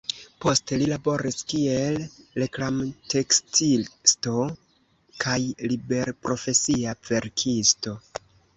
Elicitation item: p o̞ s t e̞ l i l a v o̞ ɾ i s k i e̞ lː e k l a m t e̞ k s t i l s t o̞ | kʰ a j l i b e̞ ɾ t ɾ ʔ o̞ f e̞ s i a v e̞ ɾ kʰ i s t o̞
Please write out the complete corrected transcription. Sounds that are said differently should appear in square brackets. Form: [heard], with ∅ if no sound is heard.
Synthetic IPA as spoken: p o̞ s t e̞ l i l a [b] o̞ ɾ i s k i e̞ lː e k l a m t e̞ k s t i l s t o̞ | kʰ a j l i b e̞ ɾ [p] ɾ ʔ o̞ f e̞ s i a v e̞ ɾ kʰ i s t o̞